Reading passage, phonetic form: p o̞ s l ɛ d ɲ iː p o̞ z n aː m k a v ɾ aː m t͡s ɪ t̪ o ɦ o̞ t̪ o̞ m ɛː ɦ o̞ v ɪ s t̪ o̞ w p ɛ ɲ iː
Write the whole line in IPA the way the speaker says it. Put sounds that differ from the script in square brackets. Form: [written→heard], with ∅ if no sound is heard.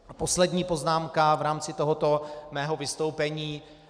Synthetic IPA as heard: p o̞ s l ɛ d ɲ iː p o̞ z n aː m k a v ɾ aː m t͡s ɪ t̪ o ɦ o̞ t̪ o̞ m ɛː ɦ o̞ v ɪ s t̪ o̞ w p ɛ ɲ iː